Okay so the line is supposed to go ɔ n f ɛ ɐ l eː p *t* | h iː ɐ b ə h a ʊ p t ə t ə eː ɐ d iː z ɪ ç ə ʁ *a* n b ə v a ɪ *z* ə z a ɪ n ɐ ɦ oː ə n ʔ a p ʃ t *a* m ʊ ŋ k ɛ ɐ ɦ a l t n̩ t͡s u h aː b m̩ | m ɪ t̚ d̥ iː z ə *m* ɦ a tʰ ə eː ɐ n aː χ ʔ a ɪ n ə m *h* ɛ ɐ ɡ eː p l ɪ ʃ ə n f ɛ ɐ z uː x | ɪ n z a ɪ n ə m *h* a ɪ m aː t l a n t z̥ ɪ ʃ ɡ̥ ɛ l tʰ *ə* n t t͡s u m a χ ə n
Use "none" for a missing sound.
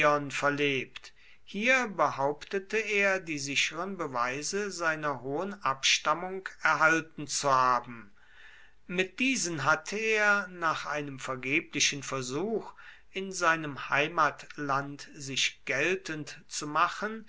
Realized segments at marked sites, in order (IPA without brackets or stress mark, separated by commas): t, ə, z, a, n, f, h, ə